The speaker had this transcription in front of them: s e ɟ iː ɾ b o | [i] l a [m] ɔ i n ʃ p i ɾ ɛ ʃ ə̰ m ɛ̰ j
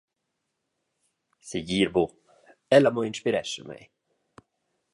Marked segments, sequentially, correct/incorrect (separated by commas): incorrect, correct